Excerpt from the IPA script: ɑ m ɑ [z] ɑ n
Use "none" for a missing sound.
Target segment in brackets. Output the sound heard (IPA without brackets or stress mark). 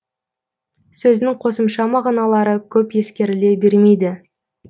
ʁ